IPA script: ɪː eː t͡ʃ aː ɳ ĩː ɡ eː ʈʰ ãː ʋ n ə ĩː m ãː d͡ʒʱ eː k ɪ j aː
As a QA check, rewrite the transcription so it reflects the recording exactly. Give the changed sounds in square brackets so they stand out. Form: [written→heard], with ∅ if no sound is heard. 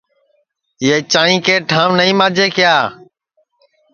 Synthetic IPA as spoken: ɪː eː t͡ʃ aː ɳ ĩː [ɡ→k] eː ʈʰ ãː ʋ n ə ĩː m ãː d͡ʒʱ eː k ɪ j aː